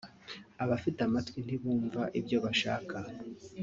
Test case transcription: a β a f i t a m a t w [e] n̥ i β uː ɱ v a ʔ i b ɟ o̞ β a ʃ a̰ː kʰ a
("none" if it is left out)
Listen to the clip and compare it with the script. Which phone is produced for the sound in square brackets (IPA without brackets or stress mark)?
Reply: i